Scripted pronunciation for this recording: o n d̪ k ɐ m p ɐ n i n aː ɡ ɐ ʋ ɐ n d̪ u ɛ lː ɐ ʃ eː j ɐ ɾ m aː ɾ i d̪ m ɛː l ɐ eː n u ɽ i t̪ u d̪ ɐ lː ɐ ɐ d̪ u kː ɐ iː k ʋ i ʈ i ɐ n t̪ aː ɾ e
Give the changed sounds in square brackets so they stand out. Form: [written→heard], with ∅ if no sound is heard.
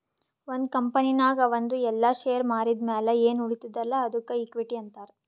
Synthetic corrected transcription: o n d̪ k ɐ m p ɐ n i n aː ɡ ɐ ʋ ɐ n d̪ u ɛ lː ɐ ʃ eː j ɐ ɾ m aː ɾ i d̪ m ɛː l ɐ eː n u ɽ i t̪ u d̪ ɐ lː ɐ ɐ d̪ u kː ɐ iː k ʋ i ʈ i ɐ n t̪ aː ɾ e